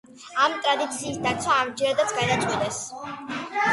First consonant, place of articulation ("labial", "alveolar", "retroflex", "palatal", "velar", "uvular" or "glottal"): labial